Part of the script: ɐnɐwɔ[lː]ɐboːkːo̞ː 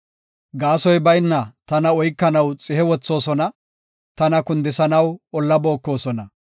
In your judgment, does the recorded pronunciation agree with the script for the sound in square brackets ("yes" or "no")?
yes